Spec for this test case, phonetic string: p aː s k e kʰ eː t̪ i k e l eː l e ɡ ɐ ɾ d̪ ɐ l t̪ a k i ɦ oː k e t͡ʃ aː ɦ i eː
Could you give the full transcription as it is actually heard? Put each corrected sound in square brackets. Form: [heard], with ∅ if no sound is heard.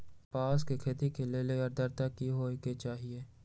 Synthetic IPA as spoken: p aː s k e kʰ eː t̪ i k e l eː l e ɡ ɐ ɾ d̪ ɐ [ɾ] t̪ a k i ɦ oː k e t͡ʃ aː ɦ i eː